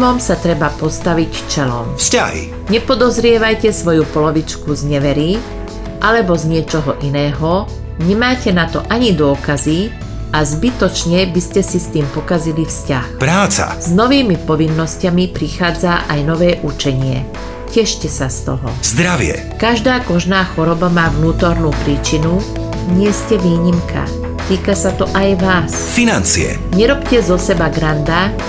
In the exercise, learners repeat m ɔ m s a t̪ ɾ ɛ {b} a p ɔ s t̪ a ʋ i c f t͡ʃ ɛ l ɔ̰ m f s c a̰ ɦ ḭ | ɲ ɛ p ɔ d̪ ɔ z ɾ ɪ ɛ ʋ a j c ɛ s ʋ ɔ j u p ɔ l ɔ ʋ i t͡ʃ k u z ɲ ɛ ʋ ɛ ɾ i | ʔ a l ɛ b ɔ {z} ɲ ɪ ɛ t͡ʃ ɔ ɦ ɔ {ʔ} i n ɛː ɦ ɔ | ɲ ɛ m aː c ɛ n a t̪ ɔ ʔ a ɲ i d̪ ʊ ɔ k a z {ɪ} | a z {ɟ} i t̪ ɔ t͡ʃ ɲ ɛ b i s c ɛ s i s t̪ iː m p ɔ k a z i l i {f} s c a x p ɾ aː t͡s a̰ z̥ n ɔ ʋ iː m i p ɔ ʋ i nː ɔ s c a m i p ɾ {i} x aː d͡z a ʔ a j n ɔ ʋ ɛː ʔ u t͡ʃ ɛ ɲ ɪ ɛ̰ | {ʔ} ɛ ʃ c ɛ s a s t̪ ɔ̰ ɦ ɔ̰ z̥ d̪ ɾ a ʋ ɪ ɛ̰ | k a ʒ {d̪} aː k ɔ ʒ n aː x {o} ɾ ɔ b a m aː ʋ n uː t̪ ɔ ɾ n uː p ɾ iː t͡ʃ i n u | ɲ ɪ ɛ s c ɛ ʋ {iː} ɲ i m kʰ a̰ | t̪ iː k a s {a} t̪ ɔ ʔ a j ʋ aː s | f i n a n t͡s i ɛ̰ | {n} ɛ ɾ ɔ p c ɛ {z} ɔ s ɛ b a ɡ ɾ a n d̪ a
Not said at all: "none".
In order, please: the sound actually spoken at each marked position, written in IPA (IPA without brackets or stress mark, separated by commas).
b, z, ʔ, i, b, f, i, c, d̪, ɔ, iː, a, ɲ, z